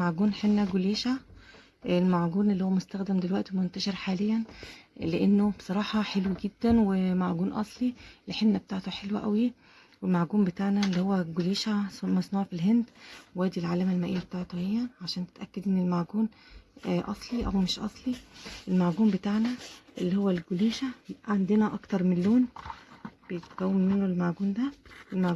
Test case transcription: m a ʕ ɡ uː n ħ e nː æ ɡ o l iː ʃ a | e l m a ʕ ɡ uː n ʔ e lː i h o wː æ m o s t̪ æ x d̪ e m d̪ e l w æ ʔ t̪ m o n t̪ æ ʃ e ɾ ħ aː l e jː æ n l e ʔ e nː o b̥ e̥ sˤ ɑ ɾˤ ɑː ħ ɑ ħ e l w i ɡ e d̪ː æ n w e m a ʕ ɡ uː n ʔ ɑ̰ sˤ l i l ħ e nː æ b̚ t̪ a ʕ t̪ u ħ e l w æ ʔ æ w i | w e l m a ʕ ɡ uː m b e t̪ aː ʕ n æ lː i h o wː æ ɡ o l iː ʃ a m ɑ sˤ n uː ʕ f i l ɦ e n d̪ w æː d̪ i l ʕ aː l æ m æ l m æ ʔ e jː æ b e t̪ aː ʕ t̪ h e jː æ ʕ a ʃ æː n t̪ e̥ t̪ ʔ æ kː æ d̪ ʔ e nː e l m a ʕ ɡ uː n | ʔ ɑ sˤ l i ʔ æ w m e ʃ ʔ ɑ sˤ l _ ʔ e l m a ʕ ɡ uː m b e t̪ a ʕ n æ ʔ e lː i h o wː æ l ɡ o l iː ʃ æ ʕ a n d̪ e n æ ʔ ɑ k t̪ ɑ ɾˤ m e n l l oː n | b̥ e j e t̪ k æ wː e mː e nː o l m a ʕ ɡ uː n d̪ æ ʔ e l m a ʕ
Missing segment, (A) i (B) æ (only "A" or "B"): A